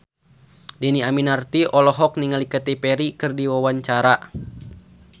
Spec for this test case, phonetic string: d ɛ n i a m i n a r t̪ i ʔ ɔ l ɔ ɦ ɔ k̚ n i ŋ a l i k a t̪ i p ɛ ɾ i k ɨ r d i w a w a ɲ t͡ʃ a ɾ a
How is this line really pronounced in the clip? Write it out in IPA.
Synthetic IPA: d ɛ n i a m i n a r t̪ i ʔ ɔ l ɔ ɦ ɔ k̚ n i ŋ a l i k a t̪ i p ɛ ɾ i k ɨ r d i w a w a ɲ t͡ʃ a ɾ a